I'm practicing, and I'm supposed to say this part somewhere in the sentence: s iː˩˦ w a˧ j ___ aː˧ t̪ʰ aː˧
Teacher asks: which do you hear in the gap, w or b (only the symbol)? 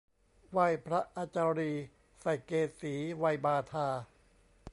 b